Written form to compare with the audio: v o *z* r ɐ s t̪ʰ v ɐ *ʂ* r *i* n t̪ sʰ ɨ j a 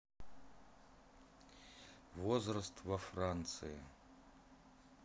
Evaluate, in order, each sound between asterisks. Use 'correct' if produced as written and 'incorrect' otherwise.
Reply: correct, incorrect: f, incorrect: a

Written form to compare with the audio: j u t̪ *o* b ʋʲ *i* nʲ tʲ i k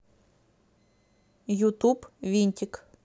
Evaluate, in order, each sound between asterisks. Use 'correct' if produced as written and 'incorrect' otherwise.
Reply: incorrect: u, correct

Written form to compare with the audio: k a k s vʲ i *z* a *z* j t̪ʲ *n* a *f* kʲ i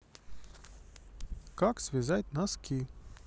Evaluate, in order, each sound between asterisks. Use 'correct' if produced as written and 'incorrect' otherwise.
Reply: correct, incorrect: none, correct, incorrect: s

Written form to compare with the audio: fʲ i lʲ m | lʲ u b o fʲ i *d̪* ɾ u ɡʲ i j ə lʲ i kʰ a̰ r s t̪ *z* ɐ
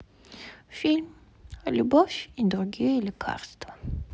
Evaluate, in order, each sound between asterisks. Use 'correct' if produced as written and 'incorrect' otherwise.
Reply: correct, incorrect: v

